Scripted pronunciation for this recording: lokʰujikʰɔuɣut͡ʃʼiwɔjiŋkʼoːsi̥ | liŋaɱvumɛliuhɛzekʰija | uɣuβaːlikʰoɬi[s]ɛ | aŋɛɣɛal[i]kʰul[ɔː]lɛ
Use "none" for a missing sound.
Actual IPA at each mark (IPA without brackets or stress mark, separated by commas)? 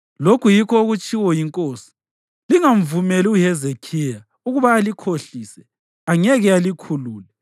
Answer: s, i, uː